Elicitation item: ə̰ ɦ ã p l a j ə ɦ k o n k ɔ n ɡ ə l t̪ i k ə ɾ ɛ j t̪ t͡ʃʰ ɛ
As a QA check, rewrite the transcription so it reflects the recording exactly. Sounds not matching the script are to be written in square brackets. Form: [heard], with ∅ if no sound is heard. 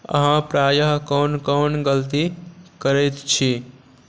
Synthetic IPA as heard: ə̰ ɦ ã p [ɾ] a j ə ɦ k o n k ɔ n ɡ ə l t̪ i k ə ɾ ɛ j t̪ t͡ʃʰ [i]